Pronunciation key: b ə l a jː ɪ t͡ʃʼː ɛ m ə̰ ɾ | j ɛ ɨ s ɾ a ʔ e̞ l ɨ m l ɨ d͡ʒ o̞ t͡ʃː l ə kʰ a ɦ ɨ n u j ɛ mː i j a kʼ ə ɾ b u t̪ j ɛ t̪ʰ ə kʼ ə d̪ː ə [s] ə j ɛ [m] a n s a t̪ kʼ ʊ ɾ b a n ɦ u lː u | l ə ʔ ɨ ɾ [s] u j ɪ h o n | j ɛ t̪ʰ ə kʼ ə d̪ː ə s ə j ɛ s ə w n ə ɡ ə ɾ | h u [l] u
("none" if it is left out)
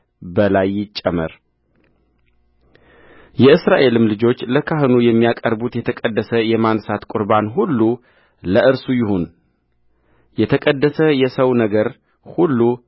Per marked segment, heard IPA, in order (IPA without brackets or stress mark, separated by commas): s, m, s, lː